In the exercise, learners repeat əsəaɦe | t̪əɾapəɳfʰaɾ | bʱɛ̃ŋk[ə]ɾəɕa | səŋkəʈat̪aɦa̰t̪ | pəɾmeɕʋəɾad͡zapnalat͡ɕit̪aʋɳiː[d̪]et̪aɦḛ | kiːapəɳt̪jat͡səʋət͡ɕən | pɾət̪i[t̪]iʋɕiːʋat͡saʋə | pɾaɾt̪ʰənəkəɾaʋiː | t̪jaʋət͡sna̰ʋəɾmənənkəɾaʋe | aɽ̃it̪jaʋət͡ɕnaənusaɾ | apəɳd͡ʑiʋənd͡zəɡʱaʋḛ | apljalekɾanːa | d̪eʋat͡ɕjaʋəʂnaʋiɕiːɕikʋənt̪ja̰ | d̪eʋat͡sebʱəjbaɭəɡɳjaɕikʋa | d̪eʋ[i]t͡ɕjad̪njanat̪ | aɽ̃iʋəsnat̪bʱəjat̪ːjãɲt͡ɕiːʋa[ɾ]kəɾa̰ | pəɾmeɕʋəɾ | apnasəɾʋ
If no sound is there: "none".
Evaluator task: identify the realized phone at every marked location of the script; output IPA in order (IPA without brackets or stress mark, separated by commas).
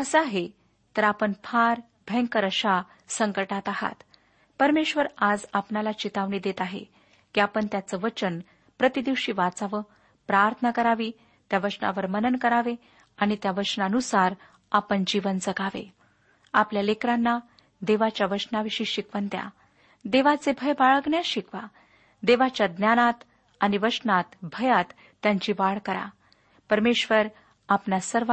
ə, d̪, d̪, a, ɭ